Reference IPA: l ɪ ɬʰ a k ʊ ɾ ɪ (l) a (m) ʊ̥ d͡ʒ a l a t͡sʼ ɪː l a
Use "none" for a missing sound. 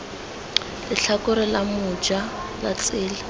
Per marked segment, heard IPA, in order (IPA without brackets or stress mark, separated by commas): l, m